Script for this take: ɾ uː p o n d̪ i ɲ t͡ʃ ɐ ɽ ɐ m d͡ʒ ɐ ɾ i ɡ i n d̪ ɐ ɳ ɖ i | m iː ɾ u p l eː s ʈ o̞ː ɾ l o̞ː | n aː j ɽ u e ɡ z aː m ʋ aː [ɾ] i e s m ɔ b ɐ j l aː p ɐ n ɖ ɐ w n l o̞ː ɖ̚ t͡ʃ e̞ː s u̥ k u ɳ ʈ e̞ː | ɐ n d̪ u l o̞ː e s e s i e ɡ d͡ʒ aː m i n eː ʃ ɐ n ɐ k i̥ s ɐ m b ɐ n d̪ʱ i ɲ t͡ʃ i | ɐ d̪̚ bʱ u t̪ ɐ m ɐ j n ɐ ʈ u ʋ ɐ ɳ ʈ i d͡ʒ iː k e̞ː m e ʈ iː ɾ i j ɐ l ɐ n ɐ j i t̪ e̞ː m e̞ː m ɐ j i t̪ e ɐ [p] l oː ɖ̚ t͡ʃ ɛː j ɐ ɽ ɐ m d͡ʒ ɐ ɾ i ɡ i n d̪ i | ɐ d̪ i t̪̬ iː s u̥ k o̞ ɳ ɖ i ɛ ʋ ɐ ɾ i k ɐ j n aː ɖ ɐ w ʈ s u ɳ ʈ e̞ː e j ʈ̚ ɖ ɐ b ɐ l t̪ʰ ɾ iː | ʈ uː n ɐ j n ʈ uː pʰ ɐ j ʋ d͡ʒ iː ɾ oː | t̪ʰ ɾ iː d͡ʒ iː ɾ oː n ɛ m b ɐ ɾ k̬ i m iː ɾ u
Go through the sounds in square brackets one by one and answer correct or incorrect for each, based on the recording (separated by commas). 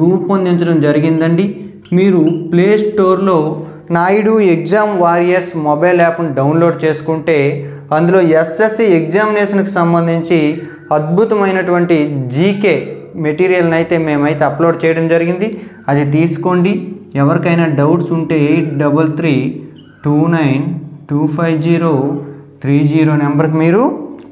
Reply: correct, correct